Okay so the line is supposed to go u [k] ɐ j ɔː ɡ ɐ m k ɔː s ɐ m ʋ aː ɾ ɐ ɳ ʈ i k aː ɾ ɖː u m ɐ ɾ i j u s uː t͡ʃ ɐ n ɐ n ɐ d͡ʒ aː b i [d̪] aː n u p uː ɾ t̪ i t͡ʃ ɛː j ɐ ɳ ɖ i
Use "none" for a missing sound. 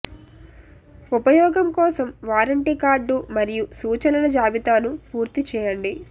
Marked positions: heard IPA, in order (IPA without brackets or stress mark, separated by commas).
p, t̪